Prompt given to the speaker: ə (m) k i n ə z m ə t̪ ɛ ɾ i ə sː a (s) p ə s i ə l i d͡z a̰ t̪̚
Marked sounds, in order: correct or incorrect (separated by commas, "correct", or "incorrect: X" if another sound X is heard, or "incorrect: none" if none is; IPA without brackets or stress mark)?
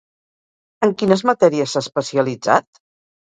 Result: incorrect: ŋ, correct